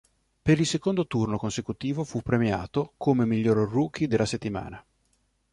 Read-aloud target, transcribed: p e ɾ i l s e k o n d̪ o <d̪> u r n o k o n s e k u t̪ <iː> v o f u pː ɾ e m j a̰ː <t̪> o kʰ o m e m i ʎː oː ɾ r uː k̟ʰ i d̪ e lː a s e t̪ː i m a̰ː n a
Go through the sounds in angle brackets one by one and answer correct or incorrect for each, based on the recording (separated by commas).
incorrect, correct, correct